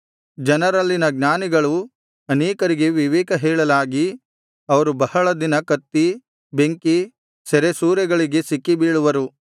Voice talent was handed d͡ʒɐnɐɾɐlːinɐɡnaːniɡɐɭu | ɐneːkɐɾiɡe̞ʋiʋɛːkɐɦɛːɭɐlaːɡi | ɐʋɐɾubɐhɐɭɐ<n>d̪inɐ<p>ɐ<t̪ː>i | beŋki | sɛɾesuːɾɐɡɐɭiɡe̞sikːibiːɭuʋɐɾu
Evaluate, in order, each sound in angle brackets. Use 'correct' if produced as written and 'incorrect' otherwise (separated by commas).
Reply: incorrect, incorrect, correct